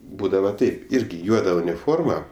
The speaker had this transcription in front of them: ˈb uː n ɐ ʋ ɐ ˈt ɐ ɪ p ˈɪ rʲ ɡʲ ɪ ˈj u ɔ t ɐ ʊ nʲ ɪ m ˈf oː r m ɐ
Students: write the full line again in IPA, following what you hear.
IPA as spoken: ˈb uː d ɐ ʋ ɐ ˈt ɐ ɪ p ˈɪ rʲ ɡʲ ɪ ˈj u ɔ d ɐ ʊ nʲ ɪ ˈf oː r m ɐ